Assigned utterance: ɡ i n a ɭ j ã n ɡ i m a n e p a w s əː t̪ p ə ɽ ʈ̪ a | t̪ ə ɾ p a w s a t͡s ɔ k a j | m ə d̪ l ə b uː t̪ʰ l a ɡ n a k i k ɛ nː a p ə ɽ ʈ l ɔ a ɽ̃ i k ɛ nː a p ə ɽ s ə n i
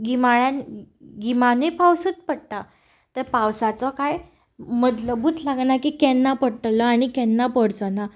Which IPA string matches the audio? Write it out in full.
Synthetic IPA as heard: ɡ i m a ɭ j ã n ɡ i m a n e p a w s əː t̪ p ə ɽ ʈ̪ a | t̪ ə ɾ p a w s a t͡s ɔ k a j | m ə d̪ l ə b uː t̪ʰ l a ɡ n a k i k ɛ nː a p ə ɽ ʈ l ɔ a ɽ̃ i k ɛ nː a p ə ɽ t͡s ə n a